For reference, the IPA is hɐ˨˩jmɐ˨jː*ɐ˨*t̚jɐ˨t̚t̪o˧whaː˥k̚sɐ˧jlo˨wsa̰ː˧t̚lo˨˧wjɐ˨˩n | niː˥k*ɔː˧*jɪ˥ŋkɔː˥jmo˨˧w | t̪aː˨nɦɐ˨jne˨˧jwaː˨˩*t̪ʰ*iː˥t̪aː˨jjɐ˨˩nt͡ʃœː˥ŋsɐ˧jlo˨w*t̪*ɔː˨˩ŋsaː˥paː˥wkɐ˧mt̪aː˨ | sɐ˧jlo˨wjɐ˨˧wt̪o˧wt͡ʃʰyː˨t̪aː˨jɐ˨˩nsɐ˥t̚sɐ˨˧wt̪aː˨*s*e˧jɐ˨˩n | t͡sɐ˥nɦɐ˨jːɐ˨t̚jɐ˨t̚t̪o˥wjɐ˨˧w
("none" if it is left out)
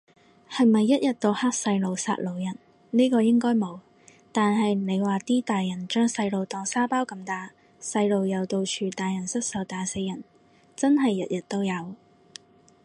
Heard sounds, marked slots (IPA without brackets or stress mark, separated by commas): ɐ˥, ɔː˧, t̪, t̪, s